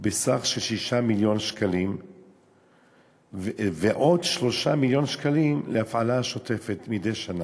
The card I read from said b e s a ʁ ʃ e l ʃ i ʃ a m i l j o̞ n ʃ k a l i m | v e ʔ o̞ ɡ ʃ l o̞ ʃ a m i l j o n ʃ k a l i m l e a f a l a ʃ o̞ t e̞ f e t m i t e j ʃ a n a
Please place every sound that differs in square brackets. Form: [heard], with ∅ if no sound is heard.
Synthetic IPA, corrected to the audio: b e s a [χ] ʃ e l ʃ i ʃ a m i l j o̞ n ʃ k a l i m | v e ʔ o̞ [d] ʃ l o̞ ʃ a m i l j o n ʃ k a l i m l e a f a l a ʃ o̞ t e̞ f e t m i [d] e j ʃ a n a